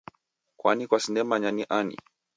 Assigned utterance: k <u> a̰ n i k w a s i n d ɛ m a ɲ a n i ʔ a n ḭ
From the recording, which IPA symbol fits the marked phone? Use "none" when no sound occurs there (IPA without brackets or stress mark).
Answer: w